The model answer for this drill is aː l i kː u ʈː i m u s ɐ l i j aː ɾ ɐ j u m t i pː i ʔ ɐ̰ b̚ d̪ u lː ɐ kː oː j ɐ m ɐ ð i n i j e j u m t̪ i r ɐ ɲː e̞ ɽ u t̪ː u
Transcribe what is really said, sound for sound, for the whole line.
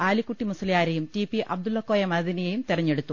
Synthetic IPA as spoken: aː l i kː u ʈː i m u s ɐ l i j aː ɾ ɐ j u m t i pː i ʔ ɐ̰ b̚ d̪ u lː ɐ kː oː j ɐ m ɐ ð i n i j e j u m t̪ i r ɐ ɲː e̞ ɽ u t̪ː u